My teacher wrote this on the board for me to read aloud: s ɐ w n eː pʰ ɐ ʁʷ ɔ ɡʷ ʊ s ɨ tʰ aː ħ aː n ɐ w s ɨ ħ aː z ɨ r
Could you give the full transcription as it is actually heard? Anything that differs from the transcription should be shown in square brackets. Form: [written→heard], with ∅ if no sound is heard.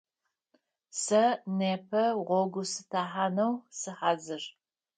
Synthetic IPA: s ɐ [w→∅] n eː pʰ ɐ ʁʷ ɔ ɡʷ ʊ s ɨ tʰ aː ħ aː n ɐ w s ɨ ħ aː z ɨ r